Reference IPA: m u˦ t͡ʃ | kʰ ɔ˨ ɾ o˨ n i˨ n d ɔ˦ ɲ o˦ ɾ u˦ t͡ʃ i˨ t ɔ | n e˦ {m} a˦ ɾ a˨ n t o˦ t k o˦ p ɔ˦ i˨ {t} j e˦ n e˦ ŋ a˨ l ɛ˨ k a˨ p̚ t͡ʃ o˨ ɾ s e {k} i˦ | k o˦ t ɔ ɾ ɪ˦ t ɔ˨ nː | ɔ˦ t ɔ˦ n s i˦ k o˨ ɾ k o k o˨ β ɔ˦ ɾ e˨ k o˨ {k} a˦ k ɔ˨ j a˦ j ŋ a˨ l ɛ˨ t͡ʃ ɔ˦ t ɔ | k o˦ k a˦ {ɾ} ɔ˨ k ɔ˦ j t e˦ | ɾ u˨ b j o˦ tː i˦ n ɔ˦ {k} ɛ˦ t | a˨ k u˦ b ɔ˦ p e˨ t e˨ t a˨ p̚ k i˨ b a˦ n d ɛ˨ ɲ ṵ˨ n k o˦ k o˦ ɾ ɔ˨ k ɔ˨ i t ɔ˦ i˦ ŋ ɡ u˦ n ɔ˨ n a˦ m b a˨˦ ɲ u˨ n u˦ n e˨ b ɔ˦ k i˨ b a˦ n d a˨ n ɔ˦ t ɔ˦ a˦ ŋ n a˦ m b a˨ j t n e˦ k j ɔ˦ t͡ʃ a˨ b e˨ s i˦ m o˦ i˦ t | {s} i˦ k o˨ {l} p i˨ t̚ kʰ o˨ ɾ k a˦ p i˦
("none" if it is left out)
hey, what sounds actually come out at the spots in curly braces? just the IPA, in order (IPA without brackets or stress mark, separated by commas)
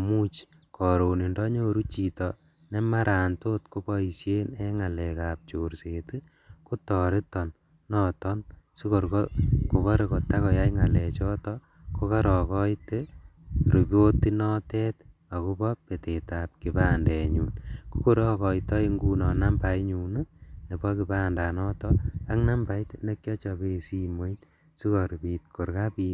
m, s, t, t, ɾ, t, s, ɾ